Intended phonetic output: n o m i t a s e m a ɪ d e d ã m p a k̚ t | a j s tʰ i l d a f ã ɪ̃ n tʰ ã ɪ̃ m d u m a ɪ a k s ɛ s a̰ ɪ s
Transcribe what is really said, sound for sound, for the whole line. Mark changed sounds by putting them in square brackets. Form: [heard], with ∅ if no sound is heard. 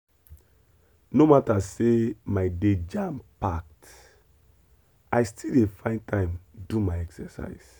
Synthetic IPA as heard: n o m [a] t a s e m a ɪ d e [d͡ʒ] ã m p a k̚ t | a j s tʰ i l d [e] f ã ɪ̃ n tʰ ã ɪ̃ m d u m a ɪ [ɛ] k s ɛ s a̰ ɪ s